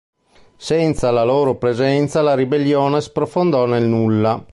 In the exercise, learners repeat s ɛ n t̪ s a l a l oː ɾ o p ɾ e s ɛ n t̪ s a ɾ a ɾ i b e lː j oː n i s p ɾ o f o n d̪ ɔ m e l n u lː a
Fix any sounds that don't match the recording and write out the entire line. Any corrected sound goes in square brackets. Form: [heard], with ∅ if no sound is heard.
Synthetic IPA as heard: s ɛ n t̪ s a l a l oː ɾ o p ɾ e [z] ɛ n t̪ s a [l] a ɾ i b e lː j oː n [e] s p ɾ o f o n d̪ ɔ [n] e l n u lː a